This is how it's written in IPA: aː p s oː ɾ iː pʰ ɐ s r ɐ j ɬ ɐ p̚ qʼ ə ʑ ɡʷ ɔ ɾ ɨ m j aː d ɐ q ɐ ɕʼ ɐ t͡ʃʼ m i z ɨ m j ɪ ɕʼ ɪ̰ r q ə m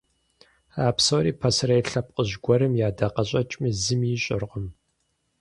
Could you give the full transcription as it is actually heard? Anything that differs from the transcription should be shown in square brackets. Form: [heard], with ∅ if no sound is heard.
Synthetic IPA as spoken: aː p s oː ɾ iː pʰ ɐ s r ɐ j ɬ ɐ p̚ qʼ ə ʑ ɡʷ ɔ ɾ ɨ m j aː d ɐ q ɐ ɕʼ ɐ t͡ʃʼ m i z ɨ m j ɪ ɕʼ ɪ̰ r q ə m